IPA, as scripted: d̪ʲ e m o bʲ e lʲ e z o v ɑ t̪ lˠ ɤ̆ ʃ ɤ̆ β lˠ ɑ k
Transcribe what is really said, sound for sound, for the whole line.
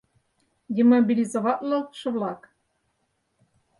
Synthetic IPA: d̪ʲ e m o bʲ i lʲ i z o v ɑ t̪ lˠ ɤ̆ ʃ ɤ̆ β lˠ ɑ k